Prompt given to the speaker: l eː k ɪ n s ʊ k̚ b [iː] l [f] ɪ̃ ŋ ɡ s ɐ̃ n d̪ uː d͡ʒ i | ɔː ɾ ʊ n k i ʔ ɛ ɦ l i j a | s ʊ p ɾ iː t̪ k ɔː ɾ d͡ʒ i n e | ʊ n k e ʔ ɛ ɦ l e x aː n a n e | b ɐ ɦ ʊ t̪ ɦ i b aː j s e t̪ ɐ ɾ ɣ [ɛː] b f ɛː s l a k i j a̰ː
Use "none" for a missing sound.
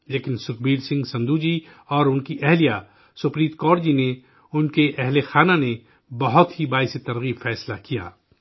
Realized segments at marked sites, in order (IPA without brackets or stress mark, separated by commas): iː, s, iː